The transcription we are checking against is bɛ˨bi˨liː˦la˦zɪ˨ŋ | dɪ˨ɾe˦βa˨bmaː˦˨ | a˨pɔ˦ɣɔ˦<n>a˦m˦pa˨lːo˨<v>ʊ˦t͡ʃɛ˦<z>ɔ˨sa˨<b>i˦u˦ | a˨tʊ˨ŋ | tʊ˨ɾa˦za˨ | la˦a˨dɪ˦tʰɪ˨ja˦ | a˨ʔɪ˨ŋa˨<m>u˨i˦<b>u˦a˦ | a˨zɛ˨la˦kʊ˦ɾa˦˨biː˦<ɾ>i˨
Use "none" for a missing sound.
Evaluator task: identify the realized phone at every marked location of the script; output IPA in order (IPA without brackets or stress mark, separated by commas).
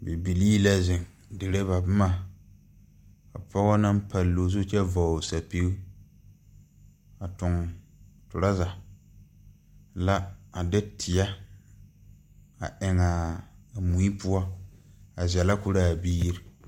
n, z, v, p, m, p, ɾ